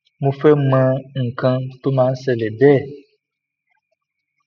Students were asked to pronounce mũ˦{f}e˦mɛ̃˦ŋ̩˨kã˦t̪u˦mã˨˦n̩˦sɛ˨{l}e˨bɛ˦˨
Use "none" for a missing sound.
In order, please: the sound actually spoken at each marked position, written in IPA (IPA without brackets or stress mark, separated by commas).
f, l